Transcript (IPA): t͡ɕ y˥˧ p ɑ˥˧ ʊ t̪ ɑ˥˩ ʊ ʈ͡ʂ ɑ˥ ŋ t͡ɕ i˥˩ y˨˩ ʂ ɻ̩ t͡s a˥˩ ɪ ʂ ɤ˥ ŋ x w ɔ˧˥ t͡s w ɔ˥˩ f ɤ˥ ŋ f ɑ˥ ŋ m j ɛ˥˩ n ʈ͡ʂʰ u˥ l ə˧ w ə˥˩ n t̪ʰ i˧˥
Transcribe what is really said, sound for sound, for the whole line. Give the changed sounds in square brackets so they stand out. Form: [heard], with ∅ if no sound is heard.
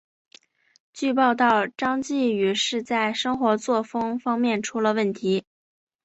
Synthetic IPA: t͡ɕ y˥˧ p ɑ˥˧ ʊ t̪ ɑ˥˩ ʊ ʈ͡ʂ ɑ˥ ŋ t͡ɕ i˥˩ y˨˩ ʂ ɻ̩ t͡s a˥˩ ɪ ʂ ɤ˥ ŋ x w ɔ˧˥ t͡s w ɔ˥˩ f ɤ˥ ŋ f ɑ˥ ŋ m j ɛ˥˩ n ʈ͡ʂʰ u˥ l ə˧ w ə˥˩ n t̪ʰ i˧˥